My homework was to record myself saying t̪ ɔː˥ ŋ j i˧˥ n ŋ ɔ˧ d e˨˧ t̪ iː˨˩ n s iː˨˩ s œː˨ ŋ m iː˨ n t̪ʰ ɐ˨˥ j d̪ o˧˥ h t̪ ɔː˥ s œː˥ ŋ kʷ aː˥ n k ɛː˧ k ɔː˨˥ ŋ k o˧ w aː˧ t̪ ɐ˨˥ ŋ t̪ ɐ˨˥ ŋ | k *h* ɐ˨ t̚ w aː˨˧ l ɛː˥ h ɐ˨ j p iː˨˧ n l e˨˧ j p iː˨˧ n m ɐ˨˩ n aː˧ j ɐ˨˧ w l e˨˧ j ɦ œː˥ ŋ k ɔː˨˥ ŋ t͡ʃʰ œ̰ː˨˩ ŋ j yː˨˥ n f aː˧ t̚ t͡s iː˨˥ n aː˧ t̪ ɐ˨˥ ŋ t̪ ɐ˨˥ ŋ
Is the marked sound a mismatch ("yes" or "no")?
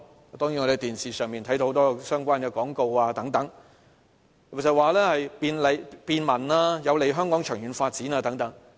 yes